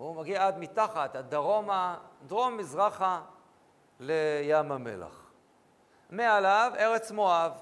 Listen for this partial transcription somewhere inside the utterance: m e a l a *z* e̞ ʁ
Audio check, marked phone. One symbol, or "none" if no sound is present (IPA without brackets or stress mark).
v